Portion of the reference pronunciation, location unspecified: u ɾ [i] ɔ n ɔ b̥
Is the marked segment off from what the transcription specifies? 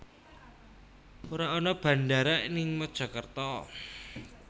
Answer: yes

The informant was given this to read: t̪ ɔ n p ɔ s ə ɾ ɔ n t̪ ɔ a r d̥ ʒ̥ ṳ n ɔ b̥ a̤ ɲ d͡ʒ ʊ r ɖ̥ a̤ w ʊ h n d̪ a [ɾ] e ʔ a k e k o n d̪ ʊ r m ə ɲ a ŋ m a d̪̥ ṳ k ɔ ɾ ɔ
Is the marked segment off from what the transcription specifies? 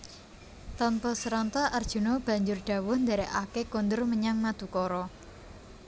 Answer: no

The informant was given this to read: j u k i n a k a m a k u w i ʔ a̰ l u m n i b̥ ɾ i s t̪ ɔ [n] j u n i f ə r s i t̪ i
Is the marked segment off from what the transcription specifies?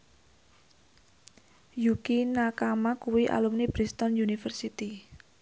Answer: no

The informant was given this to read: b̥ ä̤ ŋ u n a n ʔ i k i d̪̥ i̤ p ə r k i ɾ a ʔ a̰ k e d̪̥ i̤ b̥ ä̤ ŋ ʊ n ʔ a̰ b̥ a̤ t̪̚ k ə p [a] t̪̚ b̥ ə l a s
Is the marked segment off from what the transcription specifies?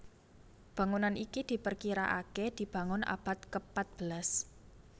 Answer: no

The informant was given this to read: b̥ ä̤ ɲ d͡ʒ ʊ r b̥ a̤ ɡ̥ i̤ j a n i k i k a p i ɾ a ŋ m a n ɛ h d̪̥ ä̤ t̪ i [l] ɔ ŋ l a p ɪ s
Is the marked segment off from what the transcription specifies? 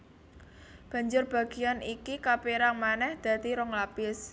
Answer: yes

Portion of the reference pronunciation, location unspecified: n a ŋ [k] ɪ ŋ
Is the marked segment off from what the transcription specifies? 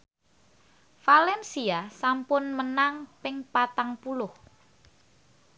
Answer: yes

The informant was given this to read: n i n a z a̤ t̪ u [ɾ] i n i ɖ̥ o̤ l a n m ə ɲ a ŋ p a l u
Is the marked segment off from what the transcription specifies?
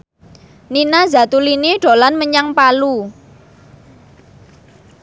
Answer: yes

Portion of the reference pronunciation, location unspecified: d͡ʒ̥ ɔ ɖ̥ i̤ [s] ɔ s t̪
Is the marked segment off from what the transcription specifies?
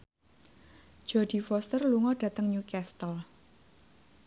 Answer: yes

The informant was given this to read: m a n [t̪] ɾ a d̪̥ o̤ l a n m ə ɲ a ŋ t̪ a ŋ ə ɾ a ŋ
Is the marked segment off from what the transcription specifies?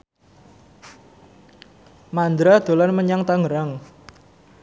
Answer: yes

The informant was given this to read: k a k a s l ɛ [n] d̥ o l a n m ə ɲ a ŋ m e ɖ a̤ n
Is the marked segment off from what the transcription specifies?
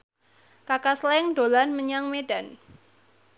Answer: yes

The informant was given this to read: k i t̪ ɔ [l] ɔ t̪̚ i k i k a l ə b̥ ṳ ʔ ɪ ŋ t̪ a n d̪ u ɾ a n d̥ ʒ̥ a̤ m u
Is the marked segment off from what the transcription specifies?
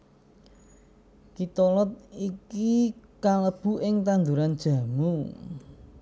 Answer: no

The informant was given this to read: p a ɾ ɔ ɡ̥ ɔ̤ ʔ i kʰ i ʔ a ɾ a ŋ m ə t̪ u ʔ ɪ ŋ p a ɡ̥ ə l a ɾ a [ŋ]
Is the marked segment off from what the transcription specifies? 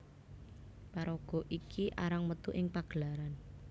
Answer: yes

